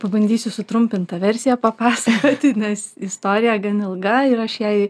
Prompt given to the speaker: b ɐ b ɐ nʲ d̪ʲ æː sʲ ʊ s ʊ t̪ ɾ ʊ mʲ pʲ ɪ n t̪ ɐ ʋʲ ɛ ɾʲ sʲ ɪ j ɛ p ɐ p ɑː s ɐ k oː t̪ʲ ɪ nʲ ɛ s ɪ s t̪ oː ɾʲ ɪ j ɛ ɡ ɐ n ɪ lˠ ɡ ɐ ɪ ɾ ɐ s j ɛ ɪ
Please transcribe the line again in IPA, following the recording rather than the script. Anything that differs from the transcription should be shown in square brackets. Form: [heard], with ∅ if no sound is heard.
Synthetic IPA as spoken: [p] ɐ b ɐ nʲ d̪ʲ [iː] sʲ ʊ s ʊ t̪ ɾ ʊ mʲ pʲ ɪ n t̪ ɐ ʋʲ ɛ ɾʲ sʲ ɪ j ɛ p ɐ p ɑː s ɐ k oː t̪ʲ ɪ nʲ ɛ s ɪ s t̪ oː ɾʲ ɪ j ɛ ɡ ɐ n ɪ lˠ ɡ ɐ ɪ ɾ ɐ [ʃ] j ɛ ɪ